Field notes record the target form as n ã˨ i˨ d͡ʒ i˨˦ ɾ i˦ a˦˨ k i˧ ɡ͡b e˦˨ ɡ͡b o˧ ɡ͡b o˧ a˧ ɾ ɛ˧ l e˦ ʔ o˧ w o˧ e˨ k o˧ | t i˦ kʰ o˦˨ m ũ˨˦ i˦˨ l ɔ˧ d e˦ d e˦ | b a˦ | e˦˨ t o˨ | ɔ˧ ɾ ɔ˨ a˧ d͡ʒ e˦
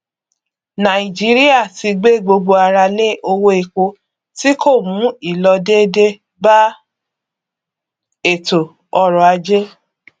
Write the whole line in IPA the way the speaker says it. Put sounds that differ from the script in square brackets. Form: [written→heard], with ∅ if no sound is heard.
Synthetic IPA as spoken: n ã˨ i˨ d͡ʒ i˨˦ ɾ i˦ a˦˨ [k→t] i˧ ɡ͡b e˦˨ ɡ͡b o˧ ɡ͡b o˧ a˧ ɾ [ɛ˧→a˧] l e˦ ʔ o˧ w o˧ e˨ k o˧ | t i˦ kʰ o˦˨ m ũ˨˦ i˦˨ l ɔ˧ d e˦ d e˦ | b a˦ | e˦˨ t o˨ | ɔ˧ ɾ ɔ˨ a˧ d͡ʒ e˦